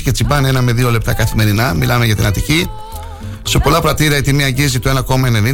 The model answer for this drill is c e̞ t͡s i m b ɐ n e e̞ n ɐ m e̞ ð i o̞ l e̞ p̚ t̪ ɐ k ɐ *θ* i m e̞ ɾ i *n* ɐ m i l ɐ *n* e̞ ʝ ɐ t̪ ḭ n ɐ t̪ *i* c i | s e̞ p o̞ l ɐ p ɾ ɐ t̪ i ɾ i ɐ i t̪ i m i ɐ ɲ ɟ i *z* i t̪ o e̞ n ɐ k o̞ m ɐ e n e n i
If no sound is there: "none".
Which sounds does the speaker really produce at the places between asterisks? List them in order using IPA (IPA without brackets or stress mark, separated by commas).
θ, n, m, i, z